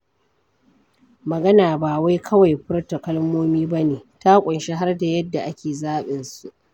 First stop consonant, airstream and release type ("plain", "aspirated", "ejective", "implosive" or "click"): plain